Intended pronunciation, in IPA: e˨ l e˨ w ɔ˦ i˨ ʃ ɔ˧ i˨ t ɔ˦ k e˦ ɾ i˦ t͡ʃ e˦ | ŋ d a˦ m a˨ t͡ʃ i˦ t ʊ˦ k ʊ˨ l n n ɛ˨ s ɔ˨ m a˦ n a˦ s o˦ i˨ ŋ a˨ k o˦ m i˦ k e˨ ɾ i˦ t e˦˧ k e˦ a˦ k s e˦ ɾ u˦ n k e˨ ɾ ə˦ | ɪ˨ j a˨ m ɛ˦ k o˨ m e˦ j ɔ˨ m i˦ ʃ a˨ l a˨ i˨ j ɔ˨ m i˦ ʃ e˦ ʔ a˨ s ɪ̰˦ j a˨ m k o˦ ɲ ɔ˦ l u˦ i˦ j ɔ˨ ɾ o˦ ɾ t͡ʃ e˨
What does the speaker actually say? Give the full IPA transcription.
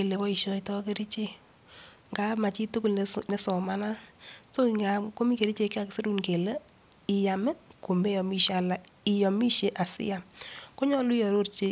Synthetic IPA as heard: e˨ l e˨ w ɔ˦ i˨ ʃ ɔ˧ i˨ t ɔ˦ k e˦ ɾ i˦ t͡ʃ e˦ | ŋ ɡ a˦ m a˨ t͡ʃ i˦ t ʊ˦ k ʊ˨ l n n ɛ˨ s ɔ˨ m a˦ n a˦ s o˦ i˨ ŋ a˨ k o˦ m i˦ k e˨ ɾ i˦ t͡ʃ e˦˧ k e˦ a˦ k s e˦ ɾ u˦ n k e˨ l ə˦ | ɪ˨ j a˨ m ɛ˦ k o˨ m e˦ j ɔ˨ m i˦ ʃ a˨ l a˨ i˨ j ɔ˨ m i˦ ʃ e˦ ʔ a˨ s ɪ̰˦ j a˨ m k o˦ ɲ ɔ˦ l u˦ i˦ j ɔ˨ ɾ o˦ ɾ t͡ʃ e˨